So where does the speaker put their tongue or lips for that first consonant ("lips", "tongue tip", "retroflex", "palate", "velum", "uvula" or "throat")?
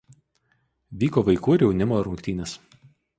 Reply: lips